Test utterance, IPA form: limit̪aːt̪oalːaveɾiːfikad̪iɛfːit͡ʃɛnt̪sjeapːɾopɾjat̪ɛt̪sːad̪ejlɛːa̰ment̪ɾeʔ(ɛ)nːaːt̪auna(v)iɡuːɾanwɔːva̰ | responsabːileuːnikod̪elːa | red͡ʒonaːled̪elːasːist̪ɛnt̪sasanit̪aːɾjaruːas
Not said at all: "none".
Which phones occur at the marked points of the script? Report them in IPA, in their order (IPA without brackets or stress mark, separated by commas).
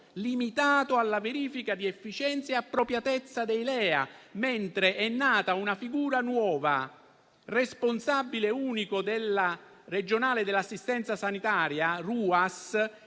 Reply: ɛ, f